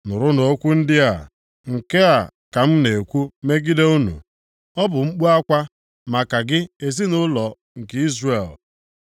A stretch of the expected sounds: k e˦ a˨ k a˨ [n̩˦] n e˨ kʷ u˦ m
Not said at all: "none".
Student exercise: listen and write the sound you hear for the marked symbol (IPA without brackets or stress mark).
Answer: m̩˦